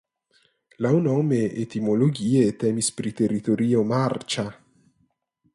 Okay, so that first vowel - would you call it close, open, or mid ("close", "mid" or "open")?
open